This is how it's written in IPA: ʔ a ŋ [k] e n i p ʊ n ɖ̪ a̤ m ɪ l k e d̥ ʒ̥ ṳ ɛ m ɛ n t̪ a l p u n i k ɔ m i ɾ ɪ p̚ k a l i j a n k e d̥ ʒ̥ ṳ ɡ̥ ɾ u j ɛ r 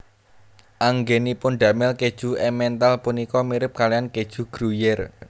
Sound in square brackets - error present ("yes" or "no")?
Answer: yes